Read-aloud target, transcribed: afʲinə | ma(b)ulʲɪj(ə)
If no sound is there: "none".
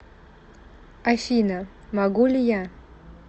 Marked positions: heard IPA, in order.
ɡ, a

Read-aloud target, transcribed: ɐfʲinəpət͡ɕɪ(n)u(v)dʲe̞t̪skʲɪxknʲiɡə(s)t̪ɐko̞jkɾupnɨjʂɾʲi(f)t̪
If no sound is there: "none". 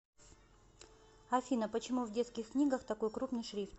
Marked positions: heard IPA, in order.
m, v, x, f

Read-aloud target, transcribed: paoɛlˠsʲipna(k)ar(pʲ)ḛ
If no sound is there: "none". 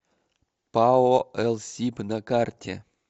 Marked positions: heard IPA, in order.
k, tʲ

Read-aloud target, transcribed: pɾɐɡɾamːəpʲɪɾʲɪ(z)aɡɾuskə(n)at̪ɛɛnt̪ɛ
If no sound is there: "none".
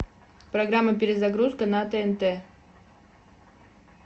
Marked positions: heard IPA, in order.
z, n

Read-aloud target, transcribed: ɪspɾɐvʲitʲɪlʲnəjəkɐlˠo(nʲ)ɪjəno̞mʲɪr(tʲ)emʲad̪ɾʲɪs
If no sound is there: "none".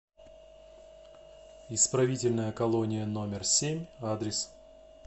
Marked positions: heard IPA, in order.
nʲ, sʲ

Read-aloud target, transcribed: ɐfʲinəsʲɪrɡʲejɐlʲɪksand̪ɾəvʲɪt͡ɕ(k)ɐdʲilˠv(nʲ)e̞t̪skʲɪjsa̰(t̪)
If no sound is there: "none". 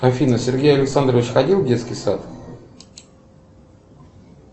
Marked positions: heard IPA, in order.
x, dʲ, t̪

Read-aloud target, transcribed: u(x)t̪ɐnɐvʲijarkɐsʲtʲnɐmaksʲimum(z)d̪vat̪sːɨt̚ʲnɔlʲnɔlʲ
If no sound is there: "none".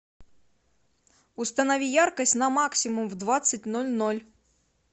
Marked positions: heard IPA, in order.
s, v

